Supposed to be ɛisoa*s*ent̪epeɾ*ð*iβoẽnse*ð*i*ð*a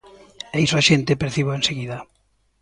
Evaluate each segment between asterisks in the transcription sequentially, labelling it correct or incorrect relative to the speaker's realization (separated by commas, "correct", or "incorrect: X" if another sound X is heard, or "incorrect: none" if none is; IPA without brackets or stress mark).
incorrect: ʃ, incorrect: θ, incorrect: ɣ, correct